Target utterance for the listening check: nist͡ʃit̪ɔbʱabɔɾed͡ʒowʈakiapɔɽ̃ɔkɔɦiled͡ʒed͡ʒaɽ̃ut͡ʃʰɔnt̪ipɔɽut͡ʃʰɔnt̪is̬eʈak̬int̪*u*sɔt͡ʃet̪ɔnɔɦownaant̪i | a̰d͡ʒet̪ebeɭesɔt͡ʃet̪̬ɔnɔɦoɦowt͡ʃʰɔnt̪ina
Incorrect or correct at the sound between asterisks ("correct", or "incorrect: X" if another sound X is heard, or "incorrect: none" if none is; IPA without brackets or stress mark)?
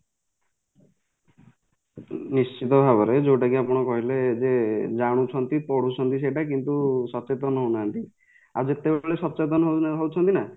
correct